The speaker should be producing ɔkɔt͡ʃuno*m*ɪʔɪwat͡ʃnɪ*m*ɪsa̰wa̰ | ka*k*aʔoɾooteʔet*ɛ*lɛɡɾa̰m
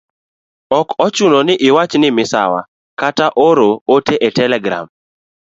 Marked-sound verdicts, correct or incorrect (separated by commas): incorrect, correct, incorrect, correct